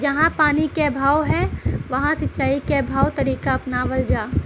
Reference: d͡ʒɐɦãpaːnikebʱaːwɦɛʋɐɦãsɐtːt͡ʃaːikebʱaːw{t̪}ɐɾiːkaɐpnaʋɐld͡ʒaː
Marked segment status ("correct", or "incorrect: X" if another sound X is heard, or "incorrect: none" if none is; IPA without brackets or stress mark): correct